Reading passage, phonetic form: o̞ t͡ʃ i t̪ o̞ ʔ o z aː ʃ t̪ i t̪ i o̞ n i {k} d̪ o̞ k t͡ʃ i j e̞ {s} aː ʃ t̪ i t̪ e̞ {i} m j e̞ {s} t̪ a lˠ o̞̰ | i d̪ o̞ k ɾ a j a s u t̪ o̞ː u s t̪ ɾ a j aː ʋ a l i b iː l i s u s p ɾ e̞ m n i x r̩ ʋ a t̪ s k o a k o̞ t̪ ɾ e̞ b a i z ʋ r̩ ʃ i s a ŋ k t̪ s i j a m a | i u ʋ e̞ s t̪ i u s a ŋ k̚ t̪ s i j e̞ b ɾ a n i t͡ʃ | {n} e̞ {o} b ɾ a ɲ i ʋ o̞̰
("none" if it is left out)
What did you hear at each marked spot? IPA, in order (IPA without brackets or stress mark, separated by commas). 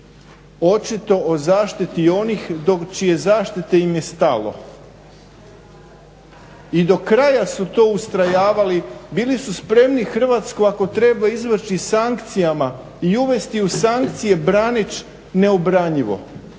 x, z, i, s, n, o